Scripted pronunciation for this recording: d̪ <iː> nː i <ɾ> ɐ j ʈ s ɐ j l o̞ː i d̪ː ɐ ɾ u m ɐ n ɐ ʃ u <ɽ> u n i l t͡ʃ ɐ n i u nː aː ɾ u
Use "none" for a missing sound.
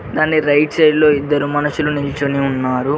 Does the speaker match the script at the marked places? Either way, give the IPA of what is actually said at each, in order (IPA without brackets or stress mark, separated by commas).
aː, ɾ, l